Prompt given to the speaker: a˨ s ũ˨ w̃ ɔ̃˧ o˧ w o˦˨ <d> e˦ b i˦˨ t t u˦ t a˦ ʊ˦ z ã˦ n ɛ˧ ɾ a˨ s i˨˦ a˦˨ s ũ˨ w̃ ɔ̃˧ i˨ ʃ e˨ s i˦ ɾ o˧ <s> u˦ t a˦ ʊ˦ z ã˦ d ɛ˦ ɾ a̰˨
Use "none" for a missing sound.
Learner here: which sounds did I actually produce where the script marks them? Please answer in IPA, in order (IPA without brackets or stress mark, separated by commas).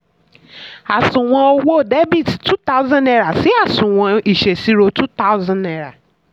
d, t